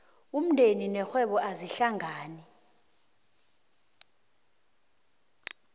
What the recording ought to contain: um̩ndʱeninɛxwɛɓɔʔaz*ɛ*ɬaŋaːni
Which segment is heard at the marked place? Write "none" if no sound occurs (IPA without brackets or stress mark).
i